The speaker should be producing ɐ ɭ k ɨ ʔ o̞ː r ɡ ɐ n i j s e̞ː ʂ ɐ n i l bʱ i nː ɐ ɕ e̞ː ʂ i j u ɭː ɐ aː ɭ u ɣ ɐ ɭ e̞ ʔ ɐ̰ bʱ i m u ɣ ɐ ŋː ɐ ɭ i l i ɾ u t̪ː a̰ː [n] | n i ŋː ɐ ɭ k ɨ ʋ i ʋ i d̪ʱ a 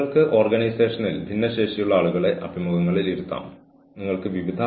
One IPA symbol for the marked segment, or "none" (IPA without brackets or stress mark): m